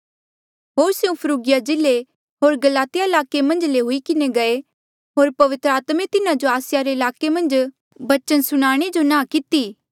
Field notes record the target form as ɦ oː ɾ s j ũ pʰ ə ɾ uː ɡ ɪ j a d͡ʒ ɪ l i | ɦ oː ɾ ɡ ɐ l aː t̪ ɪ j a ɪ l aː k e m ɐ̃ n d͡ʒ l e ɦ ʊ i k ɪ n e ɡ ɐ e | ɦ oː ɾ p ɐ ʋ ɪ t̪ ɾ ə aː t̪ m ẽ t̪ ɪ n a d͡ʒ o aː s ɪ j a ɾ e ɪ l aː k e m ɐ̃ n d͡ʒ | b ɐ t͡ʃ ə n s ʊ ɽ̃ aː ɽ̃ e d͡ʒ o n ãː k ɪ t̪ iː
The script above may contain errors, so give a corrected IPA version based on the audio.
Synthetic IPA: ɦ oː ɾ s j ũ pʰ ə ɾ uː ɡ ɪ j a d͡ʒ ɪ l e | ɦ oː ɾ ɡ ɐ l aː t̪ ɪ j a ɪ l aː k e m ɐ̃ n d͡ʒ l e ɦ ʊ i k ɪ n e ɡ ɐ e | ɦ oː ɾ p ɐ ʋ ɪ t̪ ɾ ə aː t̪ m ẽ t̪ ɪ n a d͡ʒ o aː s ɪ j a ɾ e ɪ l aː k e m ɐ̃ n d͡ʒ | b ɐ t͡ʃ ə n s ʊ ɽ̃ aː ɽ̃ e d͡ʒ o n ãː k ɪ t̪ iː